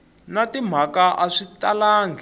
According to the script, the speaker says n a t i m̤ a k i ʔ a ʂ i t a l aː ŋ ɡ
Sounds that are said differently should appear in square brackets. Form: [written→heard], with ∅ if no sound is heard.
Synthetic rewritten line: n a t i m̤ a k [i→a] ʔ a ʂ i t a l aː ŋ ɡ